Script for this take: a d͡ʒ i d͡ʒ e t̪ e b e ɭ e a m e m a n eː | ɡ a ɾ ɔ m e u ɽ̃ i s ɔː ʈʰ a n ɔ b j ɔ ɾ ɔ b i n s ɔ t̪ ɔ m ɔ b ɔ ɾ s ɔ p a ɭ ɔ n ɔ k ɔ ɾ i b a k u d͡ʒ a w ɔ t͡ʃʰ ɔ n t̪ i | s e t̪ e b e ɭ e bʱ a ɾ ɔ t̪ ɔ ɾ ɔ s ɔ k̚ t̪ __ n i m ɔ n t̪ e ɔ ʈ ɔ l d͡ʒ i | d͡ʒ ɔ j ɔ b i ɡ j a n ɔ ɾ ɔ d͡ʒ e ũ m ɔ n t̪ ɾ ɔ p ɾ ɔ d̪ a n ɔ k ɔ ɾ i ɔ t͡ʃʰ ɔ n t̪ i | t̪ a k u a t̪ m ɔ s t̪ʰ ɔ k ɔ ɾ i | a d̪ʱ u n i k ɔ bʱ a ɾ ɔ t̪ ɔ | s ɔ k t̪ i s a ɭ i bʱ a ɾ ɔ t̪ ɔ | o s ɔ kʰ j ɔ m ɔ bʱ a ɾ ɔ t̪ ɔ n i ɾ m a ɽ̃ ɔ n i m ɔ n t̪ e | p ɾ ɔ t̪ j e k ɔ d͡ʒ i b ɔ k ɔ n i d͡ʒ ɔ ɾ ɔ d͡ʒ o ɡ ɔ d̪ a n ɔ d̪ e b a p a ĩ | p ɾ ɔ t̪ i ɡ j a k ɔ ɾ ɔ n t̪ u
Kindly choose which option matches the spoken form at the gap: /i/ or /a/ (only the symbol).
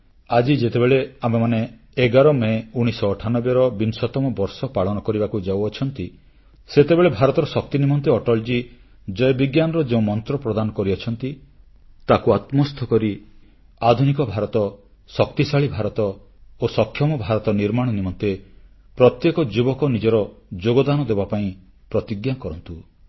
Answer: i